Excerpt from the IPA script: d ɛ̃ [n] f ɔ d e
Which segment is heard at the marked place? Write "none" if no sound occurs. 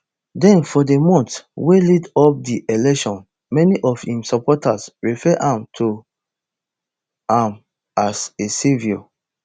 n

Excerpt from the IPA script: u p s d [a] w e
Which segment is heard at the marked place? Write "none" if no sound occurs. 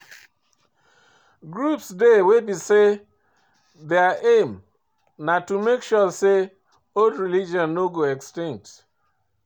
e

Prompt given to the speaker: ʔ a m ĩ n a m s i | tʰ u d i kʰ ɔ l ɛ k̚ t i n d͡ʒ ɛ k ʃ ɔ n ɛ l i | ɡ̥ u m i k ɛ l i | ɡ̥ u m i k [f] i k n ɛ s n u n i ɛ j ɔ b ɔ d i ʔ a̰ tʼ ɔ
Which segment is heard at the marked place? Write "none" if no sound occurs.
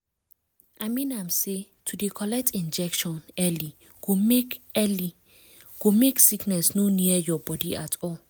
s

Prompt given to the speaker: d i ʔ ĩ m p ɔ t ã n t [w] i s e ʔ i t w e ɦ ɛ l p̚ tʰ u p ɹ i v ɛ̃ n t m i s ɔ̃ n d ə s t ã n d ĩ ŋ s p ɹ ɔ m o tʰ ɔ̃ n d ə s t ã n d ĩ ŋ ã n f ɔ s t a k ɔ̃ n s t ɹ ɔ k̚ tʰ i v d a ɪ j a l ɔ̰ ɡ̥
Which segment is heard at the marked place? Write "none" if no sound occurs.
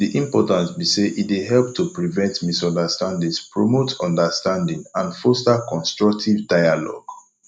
b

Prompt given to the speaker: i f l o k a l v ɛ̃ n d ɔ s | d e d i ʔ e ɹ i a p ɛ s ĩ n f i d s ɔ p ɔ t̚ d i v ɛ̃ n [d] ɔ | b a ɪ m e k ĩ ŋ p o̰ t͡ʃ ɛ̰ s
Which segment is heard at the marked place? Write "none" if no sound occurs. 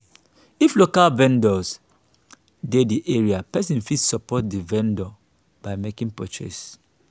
d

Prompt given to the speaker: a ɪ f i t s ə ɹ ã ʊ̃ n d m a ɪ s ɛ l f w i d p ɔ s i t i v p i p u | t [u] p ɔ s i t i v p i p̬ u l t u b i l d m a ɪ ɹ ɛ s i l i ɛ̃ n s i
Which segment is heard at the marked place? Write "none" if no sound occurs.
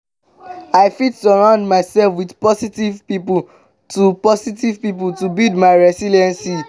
u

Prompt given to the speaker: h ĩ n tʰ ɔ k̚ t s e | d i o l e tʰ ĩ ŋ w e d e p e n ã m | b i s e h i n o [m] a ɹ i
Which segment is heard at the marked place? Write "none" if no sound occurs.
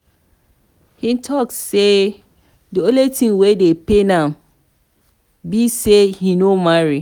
m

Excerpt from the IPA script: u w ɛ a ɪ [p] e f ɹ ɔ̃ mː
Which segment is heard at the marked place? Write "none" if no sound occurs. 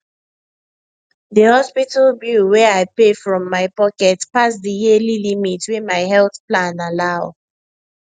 p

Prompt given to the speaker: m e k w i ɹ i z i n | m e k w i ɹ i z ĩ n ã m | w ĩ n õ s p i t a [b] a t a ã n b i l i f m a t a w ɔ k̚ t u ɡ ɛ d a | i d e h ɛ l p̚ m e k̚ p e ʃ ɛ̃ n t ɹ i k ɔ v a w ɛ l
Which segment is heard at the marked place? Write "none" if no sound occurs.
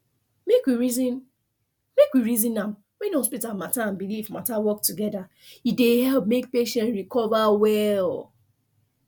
m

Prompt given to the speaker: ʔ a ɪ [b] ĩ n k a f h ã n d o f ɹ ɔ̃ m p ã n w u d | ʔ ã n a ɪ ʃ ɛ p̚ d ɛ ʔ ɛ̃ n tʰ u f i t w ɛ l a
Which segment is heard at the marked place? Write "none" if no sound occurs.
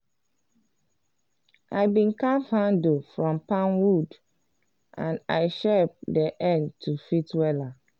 b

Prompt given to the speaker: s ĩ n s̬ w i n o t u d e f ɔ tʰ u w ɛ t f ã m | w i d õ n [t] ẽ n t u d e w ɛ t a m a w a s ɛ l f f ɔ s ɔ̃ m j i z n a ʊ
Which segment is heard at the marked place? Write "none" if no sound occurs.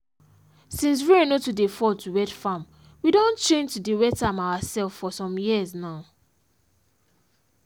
t͡ʃ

